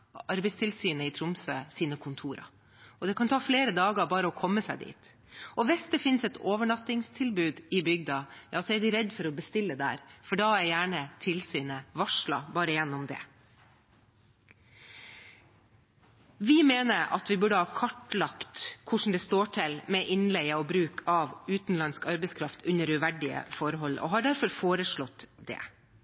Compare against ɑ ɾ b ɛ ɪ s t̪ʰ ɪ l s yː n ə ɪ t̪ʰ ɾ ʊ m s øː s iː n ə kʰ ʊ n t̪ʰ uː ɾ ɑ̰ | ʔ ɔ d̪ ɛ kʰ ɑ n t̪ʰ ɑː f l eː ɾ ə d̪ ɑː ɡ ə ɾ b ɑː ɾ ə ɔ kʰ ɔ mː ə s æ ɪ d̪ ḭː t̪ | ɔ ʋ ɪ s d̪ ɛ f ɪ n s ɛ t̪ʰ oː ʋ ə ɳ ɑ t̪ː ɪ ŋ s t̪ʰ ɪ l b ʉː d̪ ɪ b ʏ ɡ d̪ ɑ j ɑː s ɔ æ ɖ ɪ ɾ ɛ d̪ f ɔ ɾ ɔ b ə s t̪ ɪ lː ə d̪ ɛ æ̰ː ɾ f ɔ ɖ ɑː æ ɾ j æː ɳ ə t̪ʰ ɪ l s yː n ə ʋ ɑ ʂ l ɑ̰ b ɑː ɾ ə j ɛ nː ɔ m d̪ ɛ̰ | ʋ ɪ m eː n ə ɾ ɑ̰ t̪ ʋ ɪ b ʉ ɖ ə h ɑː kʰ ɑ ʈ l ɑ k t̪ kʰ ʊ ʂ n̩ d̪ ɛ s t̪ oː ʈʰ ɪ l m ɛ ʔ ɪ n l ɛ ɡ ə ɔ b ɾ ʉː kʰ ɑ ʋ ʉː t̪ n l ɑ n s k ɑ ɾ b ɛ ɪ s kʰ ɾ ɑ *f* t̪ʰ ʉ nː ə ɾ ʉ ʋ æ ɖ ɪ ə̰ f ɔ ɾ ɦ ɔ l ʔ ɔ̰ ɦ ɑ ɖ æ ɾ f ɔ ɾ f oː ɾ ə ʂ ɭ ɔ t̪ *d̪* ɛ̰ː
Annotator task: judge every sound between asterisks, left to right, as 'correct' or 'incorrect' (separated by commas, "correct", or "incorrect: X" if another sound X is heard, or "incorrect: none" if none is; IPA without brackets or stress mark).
correct, correct